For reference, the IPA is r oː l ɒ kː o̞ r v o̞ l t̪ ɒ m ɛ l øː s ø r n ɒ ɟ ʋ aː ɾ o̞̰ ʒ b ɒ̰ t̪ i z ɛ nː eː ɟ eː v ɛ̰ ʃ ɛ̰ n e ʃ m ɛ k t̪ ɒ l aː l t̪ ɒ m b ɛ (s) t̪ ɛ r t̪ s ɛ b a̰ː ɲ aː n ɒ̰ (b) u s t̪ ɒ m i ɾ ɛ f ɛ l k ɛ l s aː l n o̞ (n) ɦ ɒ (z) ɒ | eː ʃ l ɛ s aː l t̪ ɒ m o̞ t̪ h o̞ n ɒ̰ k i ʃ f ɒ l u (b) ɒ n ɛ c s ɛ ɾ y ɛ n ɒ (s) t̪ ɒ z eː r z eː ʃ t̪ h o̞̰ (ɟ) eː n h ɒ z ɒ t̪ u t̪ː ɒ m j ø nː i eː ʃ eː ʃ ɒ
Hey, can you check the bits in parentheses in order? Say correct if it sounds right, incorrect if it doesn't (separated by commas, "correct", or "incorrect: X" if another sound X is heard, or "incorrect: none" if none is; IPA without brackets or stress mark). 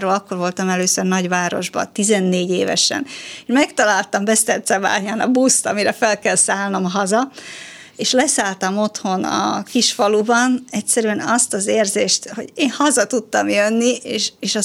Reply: correct, correct, incorrect: m, correct, correct, correct, correct